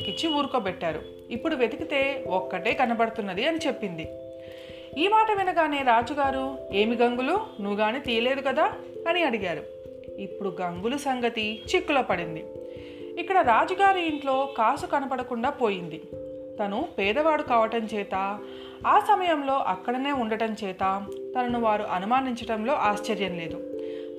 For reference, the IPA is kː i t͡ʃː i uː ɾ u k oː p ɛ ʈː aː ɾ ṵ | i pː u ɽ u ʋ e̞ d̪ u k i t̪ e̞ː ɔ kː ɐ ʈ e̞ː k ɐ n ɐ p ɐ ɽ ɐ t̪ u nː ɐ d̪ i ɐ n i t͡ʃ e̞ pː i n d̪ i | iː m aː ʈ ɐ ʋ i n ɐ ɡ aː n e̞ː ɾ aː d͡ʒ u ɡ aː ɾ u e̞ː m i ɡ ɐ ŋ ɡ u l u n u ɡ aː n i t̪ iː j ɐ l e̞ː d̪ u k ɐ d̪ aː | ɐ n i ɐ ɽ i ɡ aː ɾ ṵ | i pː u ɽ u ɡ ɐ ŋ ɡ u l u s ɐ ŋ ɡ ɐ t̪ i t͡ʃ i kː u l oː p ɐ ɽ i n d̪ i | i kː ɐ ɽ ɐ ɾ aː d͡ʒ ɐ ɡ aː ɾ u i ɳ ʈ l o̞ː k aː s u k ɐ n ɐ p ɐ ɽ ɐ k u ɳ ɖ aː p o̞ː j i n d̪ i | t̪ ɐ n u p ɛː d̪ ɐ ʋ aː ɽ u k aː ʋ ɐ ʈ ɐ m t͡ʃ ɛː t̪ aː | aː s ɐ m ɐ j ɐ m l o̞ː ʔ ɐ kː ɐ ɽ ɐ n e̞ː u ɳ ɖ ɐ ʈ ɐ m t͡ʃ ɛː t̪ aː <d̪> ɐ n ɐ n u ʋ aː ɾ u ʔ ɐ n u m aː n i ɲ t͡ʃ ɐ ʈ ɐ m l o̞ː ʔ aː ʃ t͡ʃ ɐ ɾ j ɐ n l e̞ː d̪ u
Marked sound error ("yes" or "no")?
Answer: yes